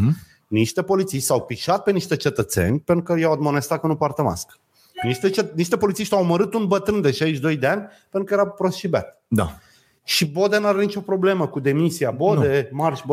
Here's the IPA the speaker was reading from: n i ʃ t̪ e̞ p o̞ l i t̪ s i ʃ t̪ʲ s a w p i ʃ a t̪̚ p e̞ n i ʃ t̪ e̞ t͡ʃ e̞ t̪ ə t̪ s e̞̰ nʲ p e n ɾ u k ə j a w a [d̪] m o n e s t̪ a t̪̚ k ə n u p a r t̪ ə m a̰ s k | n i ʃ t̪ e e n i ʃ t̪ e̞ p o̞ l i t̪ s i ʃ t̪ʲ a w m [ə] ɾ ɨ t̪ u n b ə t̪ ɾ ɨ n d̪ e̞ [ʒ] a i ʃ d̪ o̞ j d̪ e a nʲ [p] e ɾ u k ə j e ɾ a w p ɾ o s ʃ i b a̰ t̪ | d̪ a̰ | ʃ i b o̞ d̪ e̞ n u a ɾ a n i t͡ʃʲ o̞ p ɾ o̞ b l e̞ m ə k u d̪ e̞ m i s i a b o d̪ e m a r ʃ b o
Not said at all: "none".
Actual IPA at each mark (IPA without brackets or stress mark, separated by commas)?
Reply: d̪, ə, ʃ, p